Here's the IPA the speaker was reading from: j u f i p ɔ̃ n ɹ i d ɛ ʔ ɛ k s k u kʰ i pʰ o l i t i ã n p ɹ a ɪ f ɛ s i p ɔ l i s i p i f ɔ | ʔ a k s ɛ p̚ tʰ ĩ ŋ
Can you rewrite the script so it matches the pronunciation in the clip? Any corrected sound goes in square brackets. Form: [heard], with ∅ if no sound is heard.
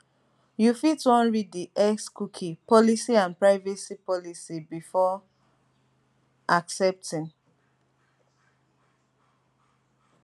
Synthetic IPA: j u f i [t] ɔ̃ n ɹ i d [i] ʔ ɛ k s k u kʰ i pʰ [ɔ] l i [s] i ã n p ɹ a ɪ [v] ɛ s i p ɔ l i s i [b] i f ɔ | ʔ a k s ɛ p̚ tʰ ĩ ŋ